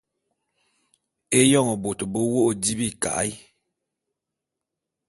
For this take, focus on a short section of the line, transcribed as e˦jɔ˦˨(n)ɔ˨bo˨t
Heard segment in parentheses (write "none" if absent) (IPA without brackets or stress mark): ŋ